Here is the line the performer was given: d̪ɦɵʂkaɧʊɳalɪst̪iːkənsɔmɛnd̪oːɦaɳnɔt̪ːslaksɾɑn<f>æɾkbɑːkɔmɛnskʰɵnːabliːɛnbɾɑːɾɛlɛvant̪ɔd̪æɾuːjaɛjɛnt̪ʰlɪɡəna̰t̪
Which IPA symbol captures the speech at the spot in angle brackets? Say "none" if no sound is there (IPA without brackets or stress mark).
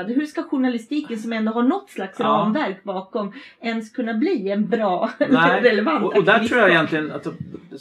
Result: v